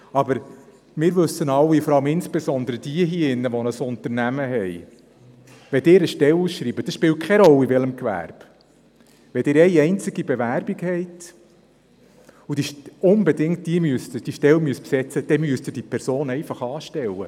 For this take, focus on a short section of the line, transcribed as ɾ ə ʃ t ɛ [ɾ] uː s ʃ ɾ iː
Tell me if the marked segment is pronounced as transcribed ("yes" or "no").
no